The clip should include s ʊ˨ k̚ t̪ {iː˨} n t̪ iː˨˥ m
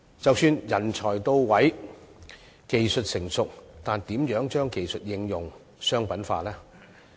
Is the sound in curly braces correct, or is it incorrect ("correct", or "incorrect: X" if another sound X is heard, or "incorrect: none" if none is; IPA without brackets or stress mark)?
incorrect: aː˨